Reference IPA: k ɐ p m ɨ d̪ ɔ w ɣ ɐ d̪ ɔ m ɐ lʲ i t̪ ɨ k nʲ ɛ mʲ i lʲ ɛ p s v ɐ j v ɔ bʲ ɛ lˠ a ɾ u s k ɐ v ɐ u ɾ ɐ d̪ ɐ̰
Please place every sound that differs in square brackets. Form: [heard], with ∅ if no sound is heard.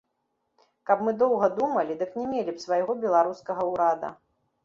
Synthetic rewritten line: k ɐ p m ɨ d̪ ɔ w ɣ ɐ d̪ [u] m ɐ lʲ i [d̪] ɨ k nʲ ɛ mʲ [e] lʲ [i] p s v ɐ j [ɣ] ɔ bʲ ɛ lˠ a ɾ u s k ɐ [ɣ] ɐ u ɾ [a] d̪ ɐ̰